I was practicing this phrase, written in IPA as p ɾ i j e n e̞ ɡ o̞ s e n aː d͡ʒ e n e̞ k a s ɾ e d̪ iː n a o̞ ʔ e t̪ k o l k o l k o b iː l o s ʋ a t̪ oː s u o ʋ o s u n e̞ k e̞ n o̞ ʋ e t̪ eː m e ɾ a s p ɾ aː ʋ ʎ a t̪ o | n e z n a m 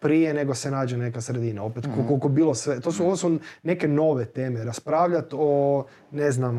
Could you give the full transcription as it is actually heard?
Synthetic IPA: p ɾ i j e n e̞ ɡ o̞ s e n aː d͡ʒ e n e̞ k a s ɾ e d̪ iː n a o̞ p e t̪ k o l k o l k o b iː l o s ʋ e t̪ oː s u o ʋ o s u n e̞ k e̞ n o̞ ʋ e t̪ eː m e ɾ a s p ɾ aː ʋ ʎ a t̪ o | n e z n a m